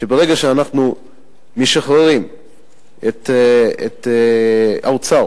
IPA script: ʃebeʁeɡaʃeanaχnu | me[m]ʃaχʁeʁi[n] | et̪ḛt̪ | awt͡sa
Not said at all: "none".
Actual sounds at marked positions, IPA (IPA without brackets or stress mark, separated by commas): none, m